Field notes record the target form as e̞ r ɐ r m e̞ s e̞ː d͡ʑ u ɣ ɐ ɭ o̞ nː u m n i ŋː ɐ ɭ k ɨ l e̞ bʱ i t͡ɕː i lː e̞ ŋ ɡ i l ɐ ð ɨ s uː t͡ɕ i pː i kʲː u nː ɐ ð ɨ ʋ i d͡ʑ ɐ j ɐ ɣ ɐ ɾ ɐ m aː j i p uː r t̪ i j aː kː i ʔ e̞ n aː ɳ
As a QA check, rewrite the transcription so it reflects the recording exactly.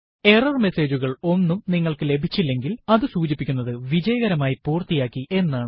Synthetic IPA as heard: e̞ r ɐ r m e̞ s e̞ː d͡ʑ u ɣ ɐ ɭ o̞ nː u m n i ŋː ɐ ɭ k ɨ l e̞ bʱ i t͡ɕː i lː e̞ ŋ ɡ i l ɐ ð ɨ s uː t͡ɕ i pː i kʲː u nː ɐ ð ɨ ʋ i d͡ʑ ɐ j ɐ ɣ ɐ ɾ ɐ m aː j i p uː r t̪ i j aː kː i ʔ e̞ nː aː ɳ

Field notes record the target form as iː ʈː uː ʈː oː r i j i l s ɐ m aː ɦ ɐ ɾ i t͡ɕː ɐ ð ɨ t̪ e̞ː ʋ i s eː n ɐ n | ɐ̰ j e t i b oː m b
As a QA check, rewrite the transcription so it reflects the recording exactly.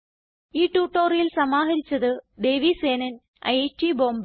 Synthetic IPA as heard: iː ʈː uː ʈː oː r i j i l s ɐ m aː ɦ ɐ ɾ i t͡ɕː ɐ ð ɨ d̪ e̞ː ʋ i s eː n ɐ n | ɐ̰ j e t i b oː m b

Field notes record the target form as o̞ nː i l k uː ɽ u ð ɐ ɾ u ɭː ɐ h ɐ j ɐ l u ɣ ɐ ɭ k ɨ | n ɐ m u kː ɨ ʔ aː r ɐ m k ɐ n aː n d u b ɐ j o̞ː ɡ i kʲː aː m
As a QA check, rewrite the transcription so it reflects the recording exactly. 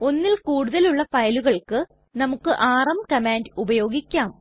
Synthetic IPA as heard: o̞ nː i l k uː ɽ u ð ɐ l u ɭː ɐ f ɐ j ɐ l u ɣ ɐ ɭ k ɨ | n ɐ m u kː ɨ ʔ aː r ɐ m k ɐ m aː n d u b ɐ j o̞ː ɡ i kʲː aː m

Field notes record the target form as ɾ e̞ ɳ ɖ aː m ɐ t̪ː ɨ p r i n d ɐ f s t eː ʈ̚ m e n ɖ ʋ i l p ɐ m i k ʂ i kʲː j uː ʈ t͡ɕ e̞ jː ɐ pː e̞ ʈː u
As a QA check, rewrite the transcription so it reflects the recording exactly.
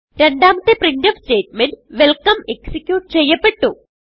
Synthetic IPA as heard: ɾ e̞ ɳ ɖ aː m ɐ t̪ː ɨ p r i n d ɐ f s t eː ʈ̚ m e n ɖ ʋ e l k ɐ m e k s i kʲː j uː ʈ t͡ɕ e̞ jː ɐ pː e̞ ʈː u

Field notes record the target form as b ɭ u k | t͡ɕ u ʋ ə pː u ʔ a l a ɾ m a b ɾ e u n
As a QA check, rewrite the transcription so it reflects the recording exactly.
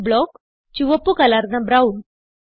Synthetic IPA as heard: b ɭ ɔ k | t͡ɕ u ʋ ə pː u k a l a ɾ n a b ɾ a u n

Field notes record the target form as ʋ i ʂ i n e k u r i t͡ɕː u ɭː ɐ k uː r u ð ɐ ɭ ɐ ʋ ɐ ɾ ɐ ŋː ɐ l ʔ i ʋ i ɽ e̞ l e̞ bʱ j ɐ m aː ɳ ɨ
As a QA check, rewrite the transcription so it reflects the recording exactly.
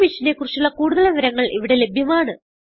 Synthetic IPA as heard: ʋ i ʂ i n e k u r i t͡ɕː u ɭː ɐ k uː ɽ u ð ɐ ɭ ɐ ʋ ɐ ɾ ɐ ŋː ɐ ɭ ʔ i ʋ i ɽ e̞ l e̞ bʱ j ɐ m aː ɳ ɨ

